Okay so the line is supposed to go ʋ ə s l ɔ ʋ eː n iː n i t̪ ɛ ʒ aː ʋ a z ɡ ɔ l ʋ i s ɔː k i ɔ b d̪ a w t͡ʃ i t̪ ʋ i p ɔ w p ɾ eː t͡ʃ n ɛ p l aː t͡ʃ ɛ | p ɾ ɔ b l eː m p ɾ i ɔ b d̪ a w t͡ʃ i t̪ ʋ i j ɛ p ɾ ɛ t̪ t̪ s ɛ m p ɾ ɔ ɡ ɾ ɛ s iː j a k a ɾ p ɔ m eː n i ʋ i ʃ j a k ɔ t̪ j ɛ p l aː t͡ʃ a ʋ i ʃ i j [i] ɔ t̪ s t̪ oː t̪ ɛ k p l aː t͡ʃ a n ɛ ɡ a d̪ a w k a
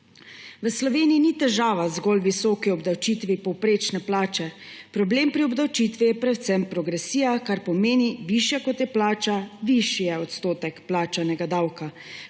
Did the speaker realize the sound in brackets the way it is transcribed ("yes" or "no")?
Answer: no